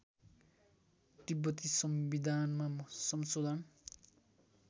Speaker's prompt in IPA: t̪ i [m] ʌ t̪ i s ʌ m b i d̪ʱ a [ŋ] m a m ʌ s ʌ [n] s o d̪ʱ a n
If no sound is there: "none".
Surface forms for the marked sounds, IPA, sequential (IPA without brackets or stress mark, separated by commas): b, n, m